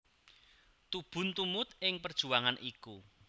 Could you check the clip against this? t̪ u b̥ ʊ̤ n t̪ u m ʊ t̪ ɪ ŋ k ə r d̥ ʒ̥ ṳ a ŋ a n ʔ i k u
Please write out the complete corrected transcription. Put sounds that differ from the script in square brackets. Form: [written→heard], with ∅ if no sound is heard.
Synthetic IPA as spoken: t̪ u b̥ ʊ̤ n t̪ u m ʊ t̪ ɪ ŋ [k→p] ə r d̥ ʒ̥ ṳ a ŋ a n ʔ i k u

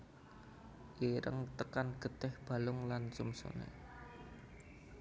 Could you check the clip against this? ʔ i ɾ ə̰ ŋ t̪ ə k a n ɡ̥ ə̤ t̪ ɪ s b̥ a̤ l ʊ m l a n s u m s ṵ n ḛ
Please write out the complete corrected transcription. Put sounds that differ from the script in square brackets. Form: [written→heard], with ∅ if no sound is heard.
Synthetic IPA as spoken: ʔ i ɾ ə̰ ŋ t̪ ə k a n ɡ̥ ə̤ t̪ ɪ [s→h] b̥ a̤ l ʊ [m→ŋ] l a n s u m s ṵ n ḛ

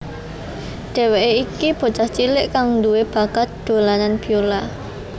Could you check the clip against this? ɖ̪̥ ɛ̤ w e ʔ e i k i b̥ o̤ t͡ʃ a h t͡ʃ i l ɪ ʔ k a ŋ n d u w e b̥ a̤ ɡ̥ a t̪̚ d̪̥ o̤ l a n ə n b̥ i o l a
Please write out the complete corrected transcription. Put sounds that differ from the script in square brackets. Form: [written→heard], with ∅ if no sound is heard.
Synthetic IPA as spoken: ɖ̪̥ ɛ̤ w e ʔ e i k i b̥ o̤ t͡ʃ a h t͡ʃ i l ɪ ʔ k a ŋ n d u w e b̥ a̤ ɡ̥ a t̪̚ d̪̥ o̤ l a n [ə→a] n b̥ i o l a

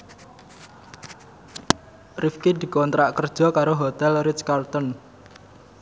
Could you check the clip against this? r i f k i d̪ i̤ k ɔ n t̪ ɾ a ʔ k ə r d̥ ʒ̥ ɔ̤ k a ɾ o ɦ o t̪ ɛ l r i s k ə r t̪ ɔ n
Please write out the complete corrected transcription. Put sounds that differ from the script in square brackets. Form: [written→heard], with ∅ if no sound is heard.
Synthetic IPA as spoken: r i f k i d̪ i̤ k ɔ n t̪ ɾ a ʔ k ə r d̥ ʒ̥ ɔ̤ k a ɾ o ɦ o t̪ ɛ l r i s k [ə→a] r t̪ ɔ n

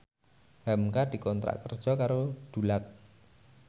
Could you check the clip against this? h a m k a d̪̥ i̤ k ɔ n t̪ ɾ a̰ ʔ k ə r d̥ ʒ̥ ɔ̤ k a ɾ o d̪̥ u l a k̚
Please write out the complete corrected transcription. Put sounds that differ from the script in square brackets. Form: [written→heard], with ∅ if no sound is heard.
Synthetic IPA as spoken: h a m k a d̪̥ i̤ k ɔ n t̪ ɾ a̰ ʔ k ə r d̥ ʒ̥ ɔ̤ k a ɾ o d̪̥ u l a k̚

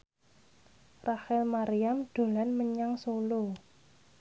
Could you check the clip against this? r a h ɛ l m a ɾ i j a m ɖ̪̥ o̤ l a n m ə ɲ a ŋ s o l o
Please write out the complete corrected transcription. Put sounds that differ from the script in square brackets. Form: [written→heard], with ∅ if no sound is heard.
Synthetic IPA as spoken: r a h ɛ l m a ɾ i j a m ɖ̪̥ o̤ l a n m ə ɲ a ŋ s o l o

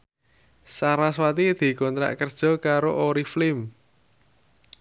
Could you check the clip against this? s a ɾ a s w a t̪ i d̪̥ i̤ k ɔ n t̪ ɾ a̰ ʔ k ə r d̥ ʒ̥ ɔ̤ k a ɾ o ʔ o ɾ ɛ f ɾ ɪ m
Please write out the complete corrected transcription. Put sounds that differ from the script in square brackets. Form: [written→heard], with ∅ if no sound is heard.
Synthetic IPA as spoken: s a ɾ a s w a t̪ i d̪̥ i̤ k ɔ n t̪ ɾ a̰ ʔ k ə r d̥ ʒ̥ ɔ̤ k a ɾ o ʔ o ɾ [ɛ→i] f [ɾ→l] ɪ m

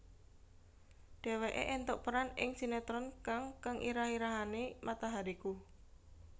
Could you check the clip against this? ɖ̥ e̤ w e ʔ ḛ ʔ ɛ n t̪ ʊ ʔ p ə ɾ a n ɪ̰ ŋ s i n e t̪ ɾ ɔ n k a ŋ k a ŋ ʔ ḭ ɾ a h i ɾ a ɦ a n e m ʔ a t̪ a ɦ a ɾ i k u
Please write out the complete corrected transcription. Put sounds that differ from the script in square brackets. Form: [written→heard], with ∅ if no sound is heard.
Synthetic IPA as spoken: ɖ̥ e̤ w e ʔ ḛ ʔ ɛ n t̪ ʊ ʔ p ə ɾ a n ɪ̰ ŋ s i n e t̪ ɾ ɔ n k a ŋ k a ŋ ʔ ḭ ɾ a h i ɾ a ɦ a n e m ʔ a t̪ a ɦ a ɾ i k u

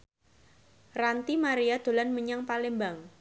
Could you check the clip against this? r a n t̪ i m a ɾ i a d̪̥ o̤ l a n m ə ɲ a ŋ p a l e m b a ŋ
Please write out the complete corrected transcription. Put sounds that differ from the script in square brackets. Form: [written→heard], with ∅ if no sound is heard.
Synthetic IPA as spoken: r a n t̪ i m a ɾ i a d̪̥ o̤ l a n m ə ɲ a ŋ p a l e m b a ŋ

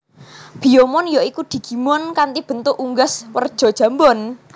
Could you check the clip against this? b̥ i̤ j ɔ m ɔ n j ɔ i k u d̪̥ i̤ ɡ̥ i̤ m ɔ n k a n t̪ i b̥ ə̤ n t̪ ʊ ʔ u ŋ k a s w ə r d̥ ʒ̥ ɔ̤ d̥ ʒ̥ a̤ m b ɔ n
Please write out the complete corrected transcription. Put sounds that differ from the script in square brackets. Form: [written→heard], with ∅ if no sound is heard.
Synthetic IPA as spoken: b̥ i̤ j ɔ m ɔ n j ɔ i k u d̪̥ i̤ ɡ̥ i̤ m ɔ n k a n t̪ i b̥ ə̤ n t̪ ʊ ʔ u ŋ [k→ɡ] a s w ə r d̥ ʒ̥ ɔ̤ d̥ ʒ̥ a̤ m b ɔ n

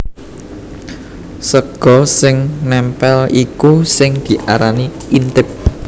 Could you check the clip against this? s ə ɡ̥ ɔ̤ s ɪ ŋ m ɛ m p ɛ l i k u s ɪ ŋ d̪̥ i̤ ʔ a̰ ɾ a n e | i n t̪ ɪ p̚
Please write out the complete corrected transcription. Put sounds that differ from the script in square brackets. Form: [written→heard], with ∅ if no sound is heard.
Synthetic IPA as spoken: s ə ɡ̥ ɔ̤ s ɪ ŋ [m→n] ɛ m p ɛ l i k u s ɪ ŋ d̪̥ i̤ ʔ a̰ ɾ a n [e→i] | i n t̪ ɪ p̚

